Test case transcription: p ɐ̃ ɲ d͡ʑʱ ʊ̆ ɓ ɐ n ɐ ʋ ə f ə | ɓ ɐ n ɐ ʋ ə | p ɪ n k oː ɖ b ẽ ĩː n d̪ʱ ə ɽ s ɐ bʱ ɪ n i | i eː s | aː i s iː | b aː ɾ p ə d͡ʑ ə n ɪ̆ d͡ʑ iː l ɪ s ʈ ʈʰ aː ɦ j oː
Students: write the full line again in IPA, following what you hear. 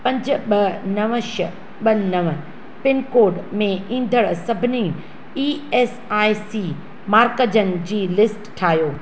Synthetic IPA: p ɐ̃ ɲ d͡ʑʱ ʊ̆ ɓ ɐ n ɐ ʋ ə ʃ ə | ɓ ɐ n ɐ ʋ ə | p ɪ n k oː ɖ m ẽ ĩː n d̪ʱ ə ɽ s ɐ bʱ ɪ n i | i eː s | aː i s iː | m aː ɾ k ə d͡ʑ ə n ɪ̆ d͡ʑ iː l ɪ s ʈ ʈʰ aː ɦ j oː